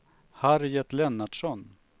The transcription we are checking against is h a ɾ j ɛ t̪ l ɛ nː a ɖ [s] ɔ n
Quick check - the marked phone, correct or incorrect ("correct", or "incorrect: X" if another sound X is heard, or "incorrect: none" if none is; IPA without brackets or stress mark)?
incorrect: ʂ